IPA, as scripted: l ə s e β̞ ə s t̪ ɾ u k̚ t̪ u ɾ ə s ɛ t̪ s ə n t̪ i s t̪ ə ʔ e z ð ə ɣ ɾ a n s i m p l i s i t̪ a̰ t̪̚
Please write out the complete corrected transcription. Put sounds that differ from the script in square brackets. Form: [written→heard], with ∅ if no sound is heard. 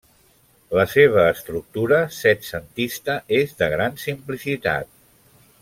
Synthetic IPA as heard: l ə s e β̞ [ə→əː] s t̪ ɾ u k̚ t̪ u ɾ ə s ɛ t̪ s ə n t̪ i s t̪ ə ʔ e z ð ə ɣ ɾ a n s i m p l i s i t̪ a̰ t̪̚